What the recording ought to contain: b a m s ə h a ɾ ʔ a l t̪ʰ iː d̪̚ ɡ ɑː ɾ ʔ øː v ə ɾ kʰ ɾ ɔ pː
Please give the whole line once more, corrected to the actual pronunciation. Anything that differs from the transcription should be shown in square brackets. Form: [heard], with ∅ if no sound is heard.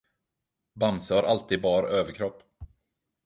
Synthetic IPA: b a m s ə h a ɾ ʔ a l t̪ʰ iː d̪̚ [b] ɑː ɾ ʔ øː v ə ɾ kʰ ɾ ɔ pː

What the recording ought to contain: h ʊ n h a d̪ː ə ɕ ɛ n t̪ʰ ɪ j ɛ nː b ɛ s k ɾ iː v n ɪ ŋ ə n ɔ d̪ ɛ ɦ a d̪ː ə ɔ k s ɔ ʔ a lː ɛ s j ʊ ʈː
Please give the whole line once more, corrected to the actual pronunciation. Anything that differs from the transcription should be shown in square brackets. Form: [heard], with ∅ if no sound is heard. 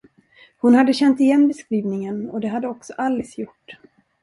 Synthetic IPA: h ʊ n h a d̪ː ə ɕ ɛ n [t̪] ɪ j ɛ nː b ɛ s k ɾ iː v n ɪ ŋ ə n ɔ d̪ ɛ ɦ a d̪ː ə ɔ k s ɔ ʔ a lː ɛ s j ʊ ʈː

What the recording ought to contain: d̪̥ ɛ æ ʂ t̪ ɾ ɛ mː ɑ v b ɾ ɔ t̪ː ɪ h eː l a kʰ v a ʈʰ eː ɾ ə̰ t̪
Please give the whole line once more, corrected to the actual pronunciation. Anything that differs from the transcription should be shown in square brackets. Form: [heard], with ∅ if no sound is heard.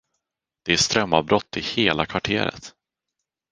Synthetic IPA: d̪̥ ɛ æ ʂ t̪ ɾ [œ] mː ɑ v b ɾ ɔ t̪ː ɪ h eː l a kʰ v a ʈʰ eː ɾ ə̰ t̪

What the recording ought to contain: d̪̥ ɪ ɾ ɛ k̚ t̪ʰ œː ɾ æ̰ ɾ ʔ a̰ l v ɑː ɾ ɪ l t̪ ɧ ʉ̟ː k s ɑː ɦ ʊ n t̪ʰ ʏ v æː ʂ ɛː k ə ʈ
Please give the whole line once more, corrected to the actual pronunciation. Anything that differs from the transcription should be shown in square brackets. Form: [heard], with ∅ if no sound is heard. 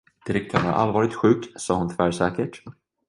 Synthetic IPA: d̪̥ ɪ ɾ ɛ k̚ t̪ʰ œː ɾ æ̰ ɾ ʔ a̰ l v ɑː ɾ ɪ [∅] t̪ ɧ ʉ̟ː k s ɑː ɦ ʊ n t̪ʰ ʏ v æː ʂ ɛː k ə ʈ

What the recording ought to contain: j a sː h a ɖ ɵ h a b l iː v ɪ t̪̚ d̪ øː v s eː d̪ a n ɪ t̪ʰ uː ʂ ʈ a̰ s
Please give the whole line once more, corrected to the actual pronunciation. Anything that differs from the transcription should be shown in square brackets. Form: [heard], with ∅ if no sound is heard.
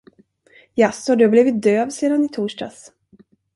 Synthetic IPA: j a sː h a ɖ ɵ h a b l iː v ɪ t̪̚ d̪ øː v s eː d̪ a n ɪ t̪ʰ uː ʂ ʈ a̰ s

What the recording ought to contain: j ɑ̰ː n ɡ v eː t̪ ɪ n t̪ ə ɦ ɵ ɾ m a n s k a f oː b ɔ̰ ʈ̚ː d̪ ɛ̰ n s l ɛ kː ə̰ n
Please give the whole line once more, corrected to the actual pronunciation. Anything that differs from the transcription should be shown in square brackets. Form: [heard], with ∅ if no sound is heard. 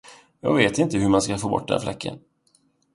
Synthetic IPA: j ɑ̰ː [∅] ɡ v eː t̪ ɪ n t̪ ə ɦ ɵ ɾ m a n s k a f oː b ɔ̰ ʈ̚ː d̪ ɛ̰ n [f] l ɛ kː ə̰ n

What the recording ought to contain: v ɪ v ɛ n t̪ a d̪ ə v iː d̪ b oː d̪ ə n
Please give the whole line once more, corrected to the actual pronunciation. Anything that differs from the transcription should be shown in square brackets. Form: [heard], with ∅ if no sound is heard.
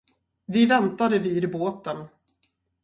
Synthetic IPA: v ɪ v ɛ n t̪ a d̪ ə v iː d̪ b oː [t̪] ə n

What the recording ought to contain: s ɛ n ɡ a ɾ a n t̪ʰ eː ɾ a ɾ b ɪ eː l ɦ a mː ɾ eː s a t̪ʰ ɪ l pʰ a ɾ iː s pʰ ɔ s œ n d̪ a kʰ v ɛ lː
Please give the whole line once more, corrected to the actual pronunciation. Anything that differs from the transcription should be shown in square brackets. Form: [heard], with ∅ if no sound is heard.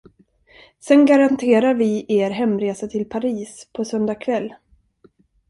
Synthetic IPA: s ɛ n ɡ a ɾ a n t̪ʰ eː ɾ a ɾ [v] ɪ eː [ɾ] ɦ [ɛ] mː ɾ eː s a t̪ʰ ɪ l pʰ a ɾ iː s pʰ ɔ s œ n d̪ a kʰ v ɛ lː

